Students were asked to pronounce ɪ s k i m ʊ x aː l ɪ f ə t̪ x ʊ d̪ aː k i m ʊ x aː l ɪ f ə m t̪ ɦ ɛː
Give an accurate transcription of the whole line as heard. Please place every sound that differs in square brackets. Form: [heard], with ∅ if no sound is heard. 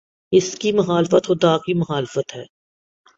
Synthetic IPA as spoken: ɪ s k i m ʊ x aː l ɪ f ə t̪ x ʊ d̪ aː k i m ʊ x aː l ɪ f ə [∅] t̪ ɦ ɛː